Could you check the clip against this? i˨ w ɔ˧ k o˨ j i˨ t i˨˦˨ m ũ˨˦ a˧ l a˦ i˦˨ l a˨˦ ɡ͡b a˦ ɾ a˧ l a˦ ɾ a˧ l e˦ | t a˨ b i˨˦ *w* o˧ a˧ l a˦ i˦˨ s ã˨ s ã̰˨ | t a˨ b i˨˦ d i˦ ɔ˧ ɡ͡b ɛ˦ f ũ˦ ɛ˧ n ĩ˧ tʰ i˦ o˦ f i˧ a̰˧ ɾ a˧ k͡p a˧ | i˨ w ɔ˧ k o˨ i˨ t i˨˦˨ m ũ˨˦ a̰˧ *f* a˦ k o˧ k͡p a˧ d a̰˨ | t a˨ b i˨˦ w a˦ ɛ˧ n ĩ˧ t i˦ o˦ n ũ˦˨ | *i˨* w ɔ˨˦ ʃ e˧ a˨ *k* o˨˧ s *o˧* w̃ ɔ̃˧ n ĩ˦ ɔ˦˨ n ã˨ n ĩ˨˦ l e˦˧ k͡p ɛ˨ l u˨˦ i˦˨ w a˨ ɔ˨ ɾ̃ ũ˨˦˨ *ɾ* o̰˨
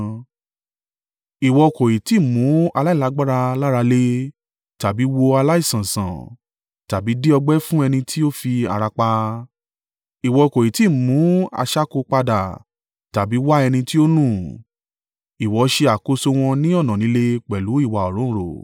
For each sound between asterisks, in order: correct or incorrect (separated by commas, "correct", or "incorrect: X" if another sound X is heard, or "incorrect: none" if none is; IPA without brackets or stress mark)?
correct, incorrect: ʃ, correct, correct, correct, correct